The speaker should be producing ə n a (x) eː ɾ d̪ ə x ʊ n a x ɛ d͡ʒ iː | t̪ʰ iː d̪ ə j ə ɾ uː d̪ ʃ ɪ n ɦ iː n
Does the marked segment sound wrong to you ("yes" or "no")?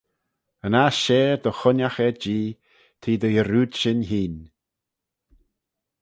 yes